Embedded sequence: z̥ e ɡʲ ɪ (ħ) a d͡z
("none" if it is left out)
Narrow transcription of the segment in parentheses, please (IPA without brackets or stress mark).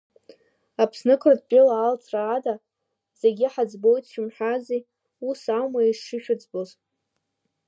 ħ